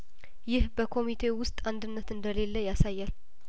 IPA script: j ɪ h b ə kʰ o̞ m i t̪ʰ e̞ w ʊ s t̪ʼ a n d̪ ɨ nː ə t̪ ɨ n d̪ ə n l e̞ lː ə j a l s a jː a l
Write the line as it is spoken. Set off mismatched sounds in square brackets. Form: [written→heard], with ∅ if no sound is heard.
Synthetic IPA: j ɪ h b ə kʰ o̞ m i t̪ʰ e̞ w ʊ s t̪ʼ a n d̪ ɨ nː ə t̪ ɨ n d̪ ə [n→∅] l e̞ lː ə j a [l→∅] s a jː a l